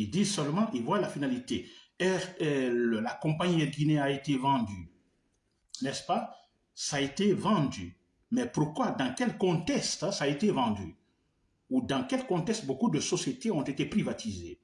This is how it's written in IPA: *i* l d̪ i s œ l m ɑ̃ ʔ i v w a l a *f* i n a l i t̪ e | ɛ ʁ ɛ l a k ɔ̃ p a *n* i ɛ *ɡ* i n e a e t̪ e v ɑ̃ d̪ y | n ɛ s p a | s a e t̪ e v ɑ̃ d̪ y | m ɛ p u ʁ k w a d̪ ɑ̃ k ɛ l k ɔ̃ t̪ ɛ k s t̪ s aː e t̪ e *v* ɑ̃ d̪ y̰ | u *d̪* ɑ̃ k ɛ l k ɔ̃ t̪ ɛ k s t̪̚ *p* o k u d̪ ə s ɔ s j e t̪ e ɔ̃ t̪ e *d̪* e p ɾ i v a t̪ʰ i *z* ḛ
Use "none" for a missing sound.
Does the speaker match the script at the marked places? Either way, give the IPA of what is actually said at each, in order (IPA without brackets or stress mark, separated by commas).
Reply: i, f, ɲ, ɡ, v, d̪, b, t̪, z